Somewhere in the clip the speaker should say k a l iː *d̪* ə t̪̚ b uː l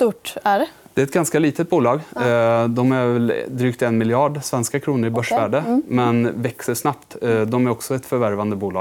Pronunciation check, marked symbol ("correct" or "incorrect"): incorrect